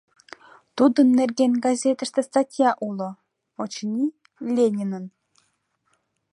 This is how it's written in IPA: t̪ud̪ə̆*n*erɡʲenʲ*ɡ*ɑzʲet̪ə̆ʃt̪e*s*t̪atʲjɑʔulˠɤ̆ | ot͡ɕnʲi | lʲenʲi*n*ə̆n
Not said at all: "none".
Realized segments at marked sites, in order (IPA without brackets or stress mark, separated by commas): nː, ɡ, s, n